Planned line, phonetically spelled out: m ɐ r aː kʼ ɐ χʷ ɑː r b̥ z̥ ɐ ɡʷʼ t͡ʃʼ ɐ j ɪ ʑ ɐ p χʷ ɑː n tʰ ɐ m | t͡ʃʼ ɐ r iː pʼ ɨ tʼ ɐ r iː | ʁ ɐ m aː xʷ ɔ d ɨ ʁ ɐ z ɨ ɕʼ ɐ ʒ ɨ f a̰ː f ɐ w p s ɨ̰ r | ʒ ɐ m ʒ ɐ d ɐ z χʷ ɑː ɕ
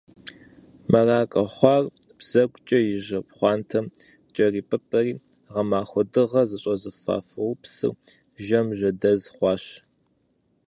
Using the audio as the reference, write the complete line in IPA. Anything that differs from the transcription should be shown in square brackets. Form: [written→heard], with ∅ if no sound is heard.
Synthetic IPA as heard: m ɐ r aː kʼ ɐ χʷ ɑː r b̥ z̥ ɐ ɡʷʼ t͡ʃʼ ɐ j ɪ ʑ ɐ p χʷ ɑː n tʰ ɐ m | t͡ʃʼ ɐ r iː pʼ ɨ tʼ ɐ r iː | ʁ ɐ m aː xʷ ɔ d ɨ ʁ ɐ z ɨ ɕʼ ɐ [ʒ→z] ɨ f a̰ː f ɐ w p s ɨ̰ r | ʒ ɐ m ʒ ɐ d ɐ z χʷ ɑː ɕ